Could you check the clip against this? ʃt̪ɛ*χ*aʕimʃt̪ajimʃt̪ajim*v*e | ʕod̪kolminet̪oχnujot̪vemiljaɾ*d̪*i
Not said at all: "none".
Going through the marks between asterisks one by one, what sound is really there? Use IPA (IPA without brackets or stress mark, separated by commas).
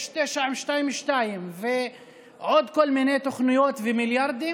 ʃ, v, d̪